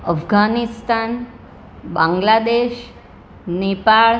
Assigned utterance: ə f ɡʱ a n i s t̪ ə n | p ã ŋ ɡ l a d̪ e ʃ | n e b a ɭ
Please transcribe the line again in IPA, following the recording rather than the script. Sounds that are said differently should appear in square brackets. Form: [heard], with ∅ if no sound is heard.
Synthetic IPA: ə f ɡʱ a n i s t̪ [a] n | [b] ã ŋ ɡ l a d̪ e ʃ | n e [p] a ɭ